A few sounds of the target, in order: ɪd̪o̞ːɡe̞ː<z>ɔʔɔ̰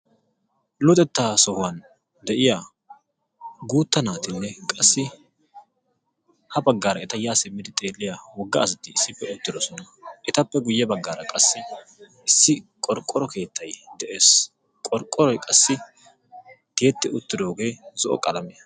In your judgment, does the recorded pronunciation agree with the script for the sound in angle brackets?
yes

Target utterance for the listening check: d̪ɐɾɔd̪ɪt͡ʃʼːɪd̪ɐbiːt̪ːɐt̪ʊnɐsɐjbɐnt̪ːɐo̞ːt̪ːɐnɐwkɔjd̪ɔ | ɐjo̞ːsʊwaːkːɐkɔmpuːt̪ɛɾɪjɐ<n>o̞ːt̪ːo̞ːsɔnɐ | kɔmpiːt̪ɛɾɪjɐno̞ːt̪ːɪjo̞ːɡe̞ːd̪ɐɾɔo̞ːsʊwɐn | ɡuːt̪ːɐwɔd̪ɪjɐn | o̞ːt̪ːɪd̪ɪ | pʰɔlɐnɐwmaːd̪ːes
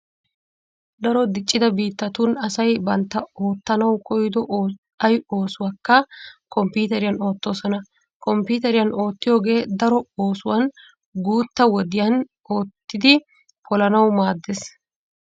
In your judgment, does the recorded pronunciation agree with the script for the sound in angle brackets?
yes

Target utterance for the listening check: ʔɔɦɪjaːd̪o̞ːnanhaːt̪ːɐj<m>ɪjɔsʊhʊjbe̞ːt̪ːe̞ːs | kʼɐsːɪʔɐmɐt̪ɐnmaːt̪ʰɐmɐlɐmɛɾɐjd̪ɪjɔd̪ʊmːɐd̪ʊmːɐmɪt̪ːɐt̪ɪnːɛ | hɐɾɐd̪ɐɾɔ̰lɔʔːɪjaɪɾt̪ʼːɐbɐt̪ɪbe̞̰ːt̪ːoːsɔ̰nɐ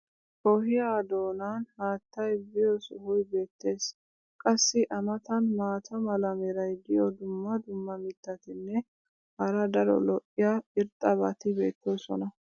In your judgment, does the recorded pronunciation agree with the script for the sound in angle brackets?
no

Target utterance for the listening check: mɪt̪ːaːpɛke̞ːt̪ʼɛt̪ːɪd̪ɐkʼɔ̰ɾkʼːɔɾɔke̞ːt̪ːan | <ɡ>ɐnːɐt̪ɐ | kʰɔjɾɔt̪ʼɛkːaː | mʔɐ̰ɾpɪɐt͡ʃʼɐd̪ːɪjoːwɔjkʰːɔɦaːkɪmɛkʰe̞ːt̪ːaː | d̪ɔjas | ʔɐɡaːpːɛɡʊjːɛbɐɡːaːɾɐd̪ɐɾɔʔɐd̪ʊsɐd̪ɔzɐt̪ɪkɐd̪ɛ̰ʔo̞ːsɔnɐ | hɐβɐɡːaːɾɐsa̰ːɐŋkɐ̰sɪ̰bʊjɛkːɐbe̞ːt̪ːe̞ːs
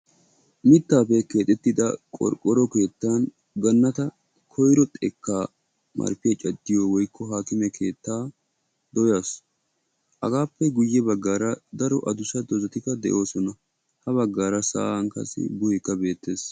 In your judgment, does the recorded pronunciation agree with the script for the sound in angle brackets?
yes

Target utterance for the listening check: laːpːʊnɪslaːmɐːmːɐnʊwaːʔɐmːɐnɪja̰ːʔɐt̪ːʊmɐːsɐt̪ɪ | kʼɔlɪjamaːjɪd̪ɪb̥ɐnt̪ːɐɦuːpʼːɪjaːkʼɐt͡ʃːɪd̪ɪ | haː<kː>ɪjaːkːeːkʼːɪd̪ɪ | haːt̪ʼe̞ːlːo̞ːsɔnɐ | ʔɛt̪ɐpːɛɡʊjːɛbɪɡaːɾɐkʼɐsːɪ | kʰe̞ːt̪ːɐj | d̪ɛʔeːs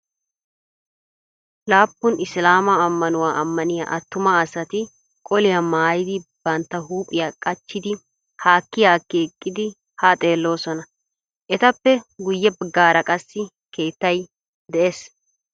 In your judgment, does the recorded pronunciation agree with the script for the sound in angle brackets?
yes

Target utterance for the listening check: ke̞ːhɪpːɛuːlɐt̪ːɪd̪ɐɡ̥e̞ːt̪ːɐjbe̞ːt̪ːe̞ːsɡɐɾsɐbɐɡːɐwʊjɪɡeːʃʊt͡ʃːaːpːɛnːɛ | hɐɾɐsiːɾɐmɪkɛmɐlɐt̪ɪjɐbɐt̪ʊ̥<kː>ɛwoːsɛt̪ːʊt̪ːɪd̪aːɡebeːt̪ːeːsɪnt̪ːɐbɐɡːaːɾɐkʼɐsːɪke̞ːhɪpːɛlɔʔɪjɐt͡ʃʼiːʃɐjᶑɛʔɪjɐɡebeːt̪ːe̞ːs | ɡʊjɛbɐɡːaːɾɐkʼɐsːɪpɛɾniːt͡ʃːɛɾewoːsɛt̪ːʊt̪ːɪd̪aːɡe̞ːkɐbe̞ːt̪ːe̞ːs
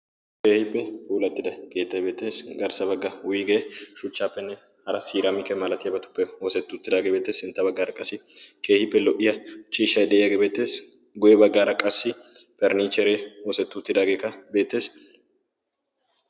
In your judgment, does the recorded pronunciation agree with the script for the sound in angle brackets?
no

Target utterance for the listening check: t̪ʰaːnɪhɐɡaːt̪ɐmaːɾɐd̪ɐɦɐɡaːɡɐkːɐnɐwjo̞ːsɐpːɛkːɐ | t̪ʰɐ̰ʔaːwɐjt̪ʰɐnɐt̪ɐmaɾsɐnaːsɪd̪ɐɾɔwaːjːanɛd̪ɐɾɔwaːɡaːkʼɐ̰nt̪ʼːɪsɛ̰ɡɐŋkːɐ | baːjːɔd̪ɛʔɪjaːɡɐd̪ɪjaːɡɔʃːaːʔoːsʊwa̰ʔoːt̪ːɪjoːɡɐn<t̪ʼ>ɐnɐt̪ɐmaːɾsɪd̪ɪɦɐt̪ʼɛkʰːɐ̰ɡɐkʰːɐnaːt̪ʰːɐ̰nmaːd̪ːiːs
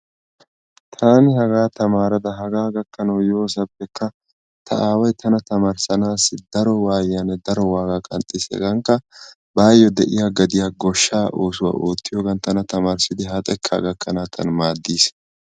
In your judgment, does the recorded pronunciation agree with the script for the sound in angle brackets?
no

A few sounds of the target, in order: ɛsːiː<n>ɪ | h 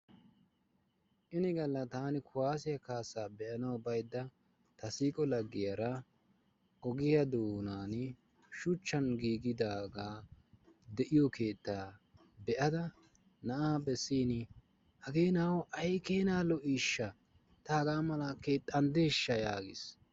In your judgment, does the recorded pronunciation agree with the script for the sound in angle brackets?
yes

